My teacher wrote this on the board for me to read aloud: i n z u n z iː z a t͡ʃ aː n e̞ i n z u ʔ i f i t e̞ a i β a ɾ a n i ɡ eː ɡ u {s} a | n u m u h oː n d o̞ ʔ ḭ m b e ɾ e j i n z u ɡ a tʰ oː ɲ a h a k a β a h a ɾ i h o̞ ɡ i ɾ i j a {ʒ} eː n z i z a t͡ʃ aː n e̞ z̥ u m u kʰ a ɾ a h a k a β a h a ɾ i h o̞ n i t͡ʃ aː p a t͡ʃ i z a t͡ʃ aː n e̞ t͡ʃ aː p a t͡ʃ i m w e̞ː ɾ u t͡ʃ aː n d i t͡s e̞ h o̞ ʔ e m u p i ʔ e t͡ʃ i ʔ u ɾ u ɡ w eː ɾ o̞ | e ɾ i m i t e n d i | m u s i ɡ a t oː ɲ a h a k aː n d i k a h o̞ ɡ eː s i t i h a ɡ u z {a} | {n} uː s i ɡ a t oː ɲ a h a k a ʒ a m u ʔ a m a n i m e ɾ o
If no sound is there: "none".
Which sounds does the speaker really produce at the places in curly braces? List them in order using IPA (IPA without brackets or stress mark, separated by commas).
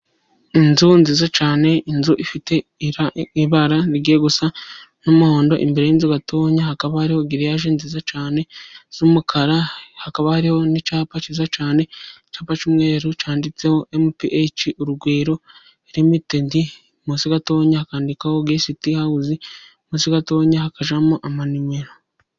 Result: s, ʒ, i, m